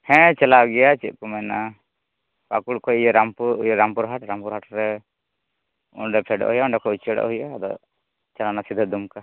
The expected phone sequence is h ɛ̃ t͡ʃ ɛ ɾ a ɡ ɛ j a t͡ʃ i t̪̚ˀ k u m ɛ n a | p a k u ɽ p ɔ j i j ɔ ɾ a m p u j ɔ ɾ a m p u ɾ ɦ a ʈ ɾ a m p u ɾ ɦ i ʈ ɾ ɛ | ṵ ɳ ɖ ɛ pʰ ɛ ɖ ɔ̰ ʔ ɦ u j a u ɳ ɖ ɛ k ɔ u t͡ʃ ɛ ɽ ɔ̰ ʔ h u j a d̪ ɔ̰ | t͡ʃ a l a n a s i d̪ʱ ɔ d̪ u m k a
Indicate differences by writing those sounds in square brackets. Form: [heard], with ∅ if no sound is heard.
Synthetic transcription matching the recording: h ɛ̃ t͡ʃ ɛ [l] a ɡ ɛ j a t͡ʃ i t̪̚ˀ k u m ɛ n a | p a k u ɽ [k] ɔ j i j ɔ ɾ a m p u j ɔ ɾ a m p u ɾ ɦ a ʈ ɾ a m p u ɾ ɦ [a] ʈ ɾ ɛ | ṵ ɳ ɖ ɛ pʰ ɛ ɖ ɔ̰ ʔ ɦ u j a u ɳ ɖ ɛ k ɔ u t͡ʃ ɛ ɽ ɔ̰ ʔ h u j a d̪ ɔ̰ | t͡ʃ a l a n a s i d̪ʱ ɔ d̪ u m k a